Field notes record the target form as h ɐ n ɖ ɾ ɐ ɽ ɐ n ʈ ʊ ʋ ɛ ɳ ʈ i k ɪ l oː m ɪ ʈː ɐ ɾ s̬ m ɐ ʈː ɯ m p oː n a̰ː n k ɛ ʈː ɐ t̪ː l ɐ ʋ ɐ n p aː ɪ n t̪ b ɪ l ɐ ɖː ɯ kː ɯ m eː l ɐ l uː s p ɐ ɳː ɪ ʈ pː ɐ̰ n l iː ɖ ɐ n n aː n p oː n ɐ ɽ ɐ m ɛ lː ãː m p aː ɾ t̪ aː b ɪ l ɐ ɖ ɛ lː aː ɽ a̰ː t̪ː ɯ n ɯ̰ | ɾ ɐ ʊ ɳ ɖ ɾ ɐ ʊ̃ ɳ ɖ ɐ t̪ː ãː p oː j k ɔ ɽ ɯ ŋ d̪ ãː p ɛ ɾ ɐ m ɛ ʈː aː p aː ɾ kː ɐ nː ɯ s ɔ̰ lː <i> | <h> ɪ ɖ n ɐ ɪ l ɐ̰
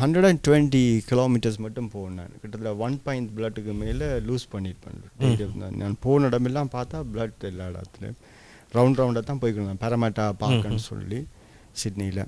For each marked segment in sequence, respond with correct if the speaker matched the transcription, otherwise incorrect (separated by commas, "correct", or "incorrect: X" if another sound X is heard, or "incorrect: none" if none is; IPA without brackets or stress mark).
correct, incorrect: s